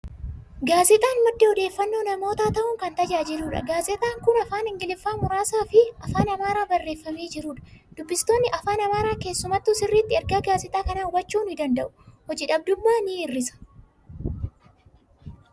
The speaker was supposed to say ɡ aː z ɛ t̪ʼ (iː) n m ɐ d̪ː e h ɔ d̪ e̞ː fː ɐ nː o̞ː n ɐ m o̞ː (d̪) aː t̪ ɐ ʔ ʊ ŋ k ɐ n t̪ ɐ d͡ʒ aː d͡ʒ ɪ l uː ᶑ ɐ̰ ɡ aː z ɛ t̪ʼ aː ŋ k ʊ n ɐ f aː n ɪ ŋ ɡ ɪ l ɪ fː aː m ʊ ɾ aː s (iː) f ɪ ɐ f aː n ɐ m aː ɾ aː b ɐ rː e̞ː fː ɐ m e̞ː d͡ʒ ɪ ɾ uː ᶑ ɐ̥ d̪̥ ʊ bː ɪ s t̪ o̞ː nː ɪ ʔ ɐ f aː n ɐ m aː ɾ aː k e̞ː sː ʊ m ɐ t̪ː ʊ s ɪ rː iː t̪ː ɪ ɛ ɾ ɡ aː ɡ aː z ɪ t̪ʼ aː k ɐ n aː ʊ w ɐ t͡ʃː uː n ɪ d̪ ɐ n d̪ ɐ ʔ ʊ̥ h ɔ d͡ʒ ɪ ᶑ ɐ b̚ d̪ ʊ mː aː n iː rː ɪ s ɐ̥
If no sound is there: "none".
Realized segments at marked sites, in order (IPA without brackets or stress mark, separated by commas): aː, t̪, aː